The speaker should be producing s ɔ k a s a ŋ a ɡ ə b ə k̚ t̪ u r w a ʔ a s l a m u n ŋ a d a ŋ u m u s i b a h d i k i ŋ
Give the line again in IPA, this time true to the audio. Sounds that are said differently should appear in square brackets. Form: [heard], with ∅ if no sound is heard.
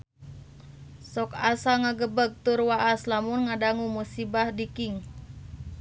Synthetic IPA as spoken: s ɔ k a s a ŋ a ɡ ə b ə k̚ t̪ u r w a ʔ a s l a m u n ŋ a d a ŋ u m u s i b a h d i k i ŋ